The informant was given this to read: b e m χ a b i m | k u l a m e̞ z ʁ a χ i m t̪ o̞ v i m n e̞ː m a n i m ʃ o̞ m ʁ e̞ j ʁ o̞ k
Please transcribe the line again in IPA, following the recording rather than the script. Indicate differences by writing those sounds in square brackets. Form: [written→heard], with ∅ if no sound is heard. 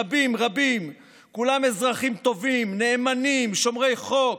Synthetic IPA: b [e→i] m [χ→ʁ] a b i m | k u l a m e̞ z ʁ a χ i m t̪ o̞ v i m n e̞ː m a n i m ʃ o̞ m ʁ e̞ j [ʁ→χ] o̞ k

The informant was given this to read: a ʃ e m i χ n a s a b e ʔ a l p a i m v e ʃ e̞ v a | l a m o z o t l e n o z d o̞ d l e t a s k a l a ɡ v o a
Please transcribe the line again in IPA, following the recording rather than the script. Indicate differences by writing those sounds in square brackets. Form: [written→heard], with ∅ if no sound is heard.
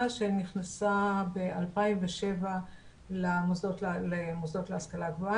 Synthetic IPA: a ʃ e [m→n] i χ n a s a b e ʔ a l p a i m v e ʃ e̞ v a | l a m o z o t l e [n→m] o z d o̞ [d→t] l e [t→∅] a s k a l a ɡ v o a

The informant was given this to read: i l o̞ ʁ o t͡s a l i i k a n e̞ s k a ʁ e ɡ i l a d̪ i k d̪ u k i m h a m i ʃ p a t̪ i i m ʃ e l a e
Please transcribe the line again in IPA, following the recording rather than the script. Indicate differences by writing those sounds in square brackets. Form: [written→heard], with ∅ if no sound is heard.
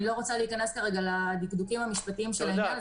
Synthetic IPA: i l o̞ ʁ o t͡s a l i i k a n e̞ s k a ʁ e ɡ [i→a] l a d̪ i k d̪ u k i m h a m i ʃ p a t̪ i i m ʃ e l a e

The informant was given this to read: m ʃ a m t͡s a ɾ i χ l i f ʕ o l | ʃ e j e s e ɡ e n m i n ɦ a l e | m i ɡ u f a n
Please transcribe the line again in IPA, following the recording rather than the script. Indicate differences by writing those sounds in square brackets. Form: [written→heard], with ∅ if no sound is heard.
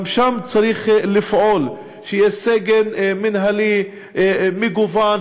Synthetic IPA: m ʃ a m t͡s a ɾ i χ l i f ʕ o l | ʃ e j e s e ɡ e n m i n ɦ a l [e→i] | m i ɡ u [f→v] a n

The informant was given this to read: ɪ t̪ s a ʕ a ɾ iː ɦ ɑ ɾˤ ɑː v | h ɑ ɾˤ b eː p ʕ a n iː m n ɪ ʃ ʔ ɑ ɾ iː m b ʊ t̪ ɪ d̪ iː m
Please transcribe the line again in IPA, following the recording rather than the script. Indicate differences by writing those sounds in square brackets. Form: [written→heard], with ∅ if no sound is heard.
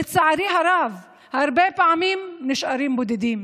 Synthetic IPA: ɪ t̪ s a ʕ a ɾ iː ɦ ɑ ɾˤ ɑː v | h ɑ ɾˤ b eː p ʕ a [n→m] iː m n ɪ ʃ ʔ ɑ ɾ iː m b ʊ [t̪→d̪] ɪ d̪ iː m

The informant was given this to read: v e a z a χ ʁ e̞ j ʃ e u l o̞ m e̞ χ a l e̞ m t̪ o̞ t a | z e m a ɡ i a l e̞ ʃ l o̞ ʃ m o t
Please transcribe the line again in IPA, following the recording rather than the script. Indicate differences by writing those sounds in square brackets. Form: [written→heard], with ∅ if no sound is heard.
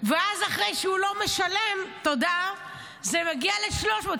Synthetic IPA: v e a z a χ ʁ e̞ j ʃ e u l o̞ m e̞ [χ→ʃ] a l e̞ m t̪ o̞ [t→d] a | z e m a ɡ i a l e̞ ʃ l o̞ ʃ m o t

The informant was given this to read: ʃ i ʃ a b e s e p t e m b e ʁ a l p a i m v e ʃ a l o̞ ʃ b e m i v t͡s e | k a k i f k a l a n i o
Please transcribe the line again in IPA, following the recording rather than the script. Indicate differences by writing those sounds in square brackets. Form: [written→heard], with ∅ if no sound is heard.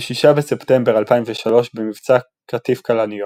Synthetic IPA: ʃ i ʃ a b e s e p t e m b e ʁ a l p a i m v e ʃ a l o̞ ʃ b e m i v t͡s [e→a] | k a [k→t] i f k a l a n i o

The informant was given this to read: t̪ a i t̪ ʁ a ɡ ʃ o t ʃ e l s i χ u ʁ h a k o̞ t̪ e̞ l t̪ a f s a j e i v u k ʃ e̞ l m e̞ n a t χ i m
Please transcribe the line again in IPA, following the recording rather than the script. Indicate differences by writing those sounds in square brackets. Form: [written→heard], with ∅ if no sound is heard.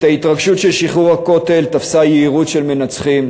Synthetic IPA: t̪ a i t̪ ʁ a ɡ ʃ [o→u] t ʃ e l [s→ʃ] i χ u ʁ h a k o̞ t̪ e̞ l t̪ a f s a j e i [v→ʁ] u [k→t] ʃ e̞ l m e̞ n a [t→t͡s] χ i m

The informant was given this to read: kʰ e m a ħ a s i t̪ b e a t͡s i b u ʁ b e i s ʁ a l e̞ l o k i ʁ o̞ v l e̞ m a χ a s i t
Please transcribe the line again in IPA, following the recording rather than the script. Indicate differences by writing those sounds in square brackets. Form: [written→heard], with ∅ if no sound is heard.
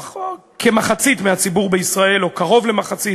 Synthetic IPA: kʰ e m a [ħ→χ] a [s→t͡s] i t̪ [b→m] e a t͡s i b u ʁ b e i s ʁ a [l→∅] e̞ l o k [i→a] ʁ o̞ v l e̞ m a χ a [s→t͡s] i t

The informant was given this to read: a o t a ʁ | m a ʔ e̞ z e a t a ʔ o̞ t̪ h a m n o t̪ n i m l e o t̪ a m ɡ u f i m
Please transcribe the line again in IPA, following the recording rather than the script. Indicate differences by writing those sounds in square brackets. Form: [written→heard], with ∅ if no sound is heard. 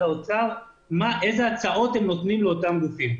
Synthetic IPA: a o [t→t͡s] a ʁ | m a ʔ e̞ z e a [t→t͡s] a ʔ o̞ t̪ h [a→e] m n o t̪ n i m l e o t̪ a m ɡ u f i m

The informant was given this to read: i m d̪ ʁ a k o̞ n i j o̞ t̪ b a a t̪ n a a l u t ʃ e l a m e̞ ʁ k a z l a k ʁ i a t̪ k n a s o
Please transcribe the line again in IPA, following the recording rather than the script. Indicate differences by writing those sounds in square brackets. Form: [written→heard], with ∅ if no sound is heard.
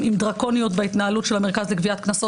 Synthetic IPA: i m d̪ ʁ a k o̞ n i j o̞ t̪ b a [a→i] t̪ n a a l u t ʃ e l a m e̞ ʁ k a z l [a→e] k [ʁ→v] i a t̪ k n a s o

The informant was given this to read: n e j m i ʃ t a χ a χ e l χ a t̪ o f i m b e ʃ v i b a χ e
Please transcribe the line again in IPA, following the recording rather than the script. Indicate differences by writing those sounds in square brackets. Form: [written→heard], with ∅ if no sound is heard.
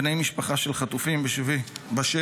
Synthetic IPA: n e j m i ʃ [t→p] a χ a [χ→ʃ] e l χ a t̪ [o→u] f i m b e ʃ v i b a [χ→ʃ] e

